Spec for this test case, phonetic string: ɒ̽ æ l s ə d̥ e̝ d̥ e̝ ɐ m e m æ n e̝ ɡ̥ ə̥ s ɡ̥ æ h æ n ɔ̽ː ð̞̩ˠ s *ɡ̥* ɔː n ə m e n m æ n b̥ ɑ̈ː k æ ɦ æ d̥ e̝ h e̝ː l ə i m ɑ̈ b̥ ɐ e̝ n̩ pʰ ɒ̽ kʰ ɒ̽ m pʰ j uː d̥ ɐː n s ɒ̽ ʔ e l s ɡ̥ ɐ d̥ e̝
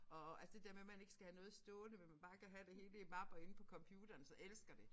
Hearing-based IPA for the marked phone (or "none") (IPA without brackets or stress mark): d̥